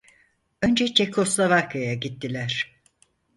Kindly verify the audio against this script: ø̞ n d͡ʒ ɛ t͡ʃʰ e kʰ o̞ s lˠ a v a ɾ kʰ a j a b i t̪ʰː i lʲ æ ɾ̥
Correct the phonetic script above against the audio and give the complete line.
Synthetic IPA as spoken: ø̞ n d͡ʒ ɛ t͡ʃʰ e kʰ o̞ s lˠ a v a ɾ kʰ a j a ɟ i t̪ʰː i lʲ æ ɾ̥